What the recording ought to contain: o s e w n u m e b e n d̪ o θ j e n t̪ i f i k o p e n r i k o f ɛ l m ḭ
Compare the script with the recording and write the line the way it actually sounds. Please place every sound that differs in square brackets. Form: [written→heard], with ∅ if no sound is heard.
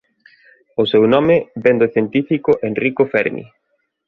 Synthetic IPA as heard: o s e w n [u→ɔ] m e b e n d̪ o θ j e n t̪ i f i k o [p→ʔ] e n r i k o f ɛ [l→ɾ] m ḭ